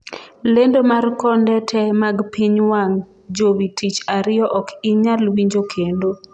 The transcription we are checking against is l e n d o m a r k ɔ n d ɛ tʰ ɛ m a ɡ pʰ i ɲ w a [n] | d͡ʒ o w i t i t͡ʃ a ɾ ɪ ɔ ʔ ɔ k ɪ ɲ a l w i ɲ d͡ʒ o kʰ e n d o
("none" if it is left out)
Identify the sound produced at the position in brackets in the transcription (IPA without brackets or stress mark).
ŋ